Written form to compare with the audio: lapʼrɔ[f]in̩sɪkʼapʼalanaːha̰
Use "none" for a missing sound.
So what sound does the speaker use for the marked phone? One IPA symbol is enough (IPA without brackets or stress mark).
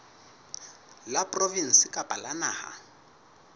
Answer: v